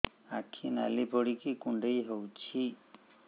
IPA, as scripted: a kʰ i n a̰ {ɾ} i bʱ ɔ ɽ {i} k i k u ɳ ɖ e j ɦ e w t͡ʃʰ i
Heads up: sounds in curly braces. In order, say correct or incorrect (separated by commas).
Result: incorrect, correct